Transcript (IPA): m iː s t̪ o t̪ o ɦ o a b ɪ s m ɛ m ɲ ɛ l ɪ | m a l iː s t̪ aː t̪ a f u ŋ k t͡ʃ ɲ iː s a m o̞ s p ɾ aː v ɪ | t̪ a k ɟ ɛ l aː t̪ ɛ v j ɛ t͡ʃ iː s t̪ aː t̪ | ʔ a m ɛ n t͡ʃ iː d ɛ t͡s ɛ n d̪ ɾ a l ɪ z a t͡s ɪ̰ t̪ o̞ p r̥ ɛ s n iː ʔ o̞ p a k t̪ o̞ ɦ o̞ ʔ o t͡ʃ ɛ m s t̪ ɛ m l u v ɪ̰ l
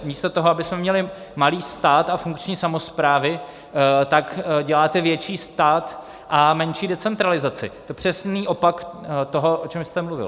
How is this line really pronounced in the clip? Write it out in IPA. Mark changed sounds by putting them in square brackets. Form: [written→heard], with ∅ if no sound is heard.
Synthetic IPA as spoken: m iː s t̪ o t̪ o ɦ o a b ɪ s m ɛ m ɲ ɛ l ɪ | m a l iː s t̪ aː t̪ a f u ŋ k t͡ʃ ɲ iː s a m o̞ s p ɾ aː v ɪ | t̪ a k ɟ ɛ l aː t̪ ɛ v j ɛ t͡ʃ iː s t̪ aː t̪ | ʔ a m ɛ n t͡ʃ iː d ɛ t͡s ɛ n [d̪→t̪] ɾ a l ɪ z a t͡s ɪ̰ t̪ o̞ p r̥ ɛ s n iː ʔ o̞ p a k t̪ o̞ ɦ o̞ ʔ o t͡ʃ ɛ m s t̪ ɛ m l u v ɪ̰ l